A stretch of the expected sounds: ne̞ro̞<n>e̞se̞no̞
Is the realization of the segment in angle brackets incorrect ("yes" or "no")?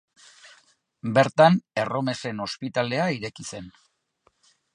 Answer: yes